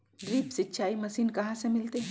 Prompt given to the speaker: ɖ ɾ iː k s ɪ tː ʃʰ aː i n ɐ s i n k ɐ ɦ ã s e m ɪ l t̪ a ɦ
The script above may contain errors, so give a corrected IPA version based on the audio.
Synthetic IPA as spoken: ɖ ɾ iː p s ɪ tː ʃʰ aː i m ɐ s iː n k ɐ ɦ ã s e m ɪ l t̪ e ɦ